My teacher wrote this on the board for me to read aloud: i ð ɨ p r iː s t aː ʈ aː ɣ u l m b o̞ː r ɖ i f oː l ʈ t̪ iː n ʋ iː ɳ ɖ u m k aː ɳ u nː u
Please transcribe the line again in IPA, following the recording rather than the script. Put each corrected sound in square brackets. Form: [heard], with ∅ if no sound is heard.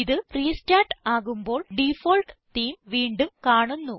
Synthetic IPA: i ð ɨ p r iː s t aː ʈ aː ɣ u [∅] m b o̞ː [ɭ] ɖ i f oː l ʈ t̪ iː [m] ʋ iː ɳ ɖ u m k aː ɳ u nː u